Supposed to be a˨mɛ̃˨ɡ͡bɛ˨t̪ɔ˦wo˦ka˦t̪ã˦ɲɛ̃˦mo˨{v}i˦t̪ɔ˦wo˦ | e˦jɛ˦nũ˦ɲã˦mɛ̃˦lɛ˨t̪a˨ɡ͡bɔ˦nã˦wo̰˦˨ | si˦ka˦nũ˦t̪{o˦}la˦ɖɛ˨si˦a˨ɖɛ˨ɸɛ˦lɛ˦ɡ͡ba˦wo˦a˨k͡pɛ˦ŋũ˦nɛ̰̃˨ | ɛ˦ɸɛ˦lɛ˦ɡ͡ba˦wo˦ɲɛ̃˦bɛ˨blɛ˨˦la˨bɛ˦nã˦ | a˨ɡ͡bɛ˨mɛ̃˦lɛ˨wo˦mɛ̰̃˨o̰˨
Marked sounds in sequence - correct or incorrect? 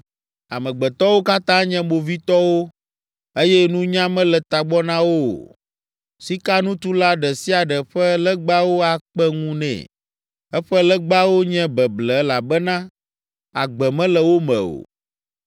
correct, incorrect

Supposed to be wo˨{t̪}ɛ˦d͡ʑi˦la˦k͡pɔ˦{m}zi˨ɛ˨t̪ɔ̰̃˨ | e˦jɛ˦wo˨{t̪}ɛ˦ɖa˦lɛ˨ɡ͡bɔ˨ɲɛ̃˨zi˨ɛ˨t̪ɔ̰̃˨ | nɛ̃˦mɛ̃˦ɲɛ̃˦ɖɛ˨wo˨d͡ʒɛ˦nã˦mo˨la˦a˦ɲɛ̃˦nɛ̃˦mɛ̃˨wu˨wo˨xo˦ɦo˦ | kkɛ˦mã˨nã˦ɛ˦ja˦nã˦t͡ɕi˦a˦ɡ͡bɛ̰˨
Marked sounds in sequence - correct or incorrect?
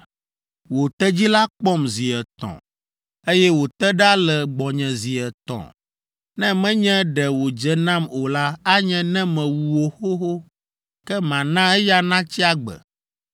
correct, correct, correct

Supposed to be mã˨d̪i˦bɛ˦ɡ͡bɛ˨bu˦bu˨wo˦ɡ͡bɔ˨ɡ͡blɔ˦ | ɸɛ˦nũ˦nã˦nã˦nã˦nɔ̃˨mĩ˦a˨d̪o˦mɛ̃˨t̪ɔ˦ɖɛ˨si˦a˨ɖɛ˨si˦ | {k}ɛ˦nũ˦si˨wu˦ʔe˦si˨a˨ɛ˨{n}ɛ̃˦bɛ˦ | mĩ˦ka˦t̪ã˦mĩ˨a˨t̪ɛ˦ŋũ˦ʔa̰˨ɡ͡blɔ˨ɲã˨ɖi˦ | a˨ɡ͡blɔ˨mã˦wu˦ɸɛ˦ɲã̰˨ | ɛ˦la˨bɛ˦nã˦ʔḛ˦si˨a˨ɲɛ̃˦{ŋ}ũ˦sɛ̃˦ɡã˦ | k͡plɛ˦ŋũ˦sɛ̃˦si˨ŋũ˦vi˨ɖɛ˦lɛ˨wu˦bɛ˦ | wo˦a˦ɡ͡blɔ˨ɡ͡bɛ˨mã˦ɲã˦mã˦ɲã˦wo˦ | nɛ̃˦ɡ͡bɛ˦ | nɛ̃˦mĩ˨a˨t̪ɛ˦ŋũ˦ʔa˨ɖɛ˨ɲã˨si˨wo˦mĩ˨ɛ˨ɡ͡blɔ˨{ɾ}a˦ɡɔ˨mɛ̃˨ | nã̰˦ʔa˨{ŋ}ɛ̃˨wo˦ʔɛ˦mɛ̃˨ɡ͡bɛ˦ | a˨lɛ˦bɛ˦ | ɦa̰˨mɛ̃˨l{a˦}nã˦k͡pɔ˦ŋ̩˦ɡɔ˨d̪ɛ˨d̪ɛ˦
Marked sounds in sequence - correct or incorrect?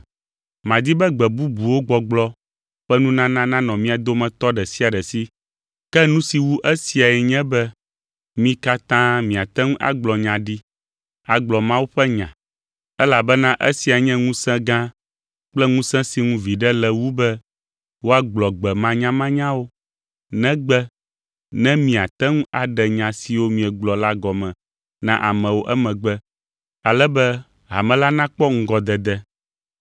correct, incorrect, correct, incorrect, incorrect, correct

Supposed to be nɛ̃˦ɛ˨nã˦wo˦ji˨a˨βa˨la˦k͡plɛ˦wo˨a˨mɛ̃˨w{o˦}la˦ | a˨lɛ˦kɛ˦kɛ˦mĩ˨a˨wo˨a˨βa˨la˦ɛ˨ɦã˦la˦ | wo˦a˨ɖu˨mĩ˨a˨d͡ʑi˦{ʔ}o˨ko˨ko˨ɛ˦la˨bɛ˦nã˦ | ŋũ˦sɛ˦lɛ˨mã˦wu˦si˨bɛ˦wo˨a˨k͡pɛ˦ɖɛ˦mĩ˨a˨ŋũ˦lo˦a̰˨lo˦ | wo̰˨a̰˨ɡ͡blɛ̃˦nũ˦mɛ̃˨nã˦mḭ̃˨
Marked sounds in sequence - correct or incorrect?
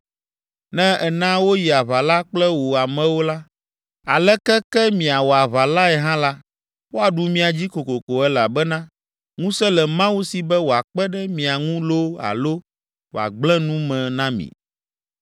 correct, incorrect

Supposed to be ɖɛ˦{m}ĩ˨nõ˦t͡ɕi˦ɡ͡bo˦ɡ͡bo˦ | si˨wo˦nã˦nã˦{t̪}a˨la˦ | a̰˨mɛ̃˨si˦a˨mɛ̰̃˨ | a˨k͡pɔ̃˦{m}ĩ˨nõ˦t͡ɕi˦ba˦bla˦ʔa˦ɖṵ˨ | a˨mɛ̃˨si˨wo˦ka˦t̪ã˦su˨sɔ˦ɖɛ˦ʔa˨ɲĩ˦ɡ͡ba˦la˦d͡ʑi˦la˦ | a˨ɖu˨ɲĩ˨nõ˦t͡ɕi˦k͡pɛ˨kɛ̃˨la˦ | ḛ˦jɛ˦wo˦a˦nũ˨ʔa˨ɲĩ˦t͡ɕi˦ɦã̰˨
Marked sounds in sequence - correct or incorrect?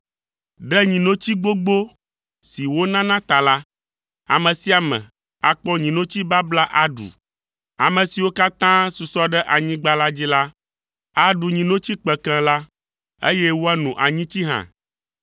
incorrect, correct, incorrect

